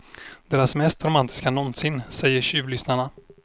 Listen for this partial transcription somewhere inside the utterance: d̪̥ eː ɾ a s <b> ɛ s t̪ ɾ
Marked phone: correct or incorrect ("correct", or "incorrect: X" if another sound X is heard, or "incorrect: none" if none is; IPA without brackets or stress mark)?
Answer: incorrect: m